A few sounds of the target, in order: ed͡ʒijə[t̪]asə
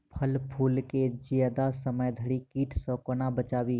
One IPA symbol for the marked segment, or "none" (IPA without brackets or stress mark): d̪